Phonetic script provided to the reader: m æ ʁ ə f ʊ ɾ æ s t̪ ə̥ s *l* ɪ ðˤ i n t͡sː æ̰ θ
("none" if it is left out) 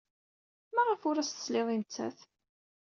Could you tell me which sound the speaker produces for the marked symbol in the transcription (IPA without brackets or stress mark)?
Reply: l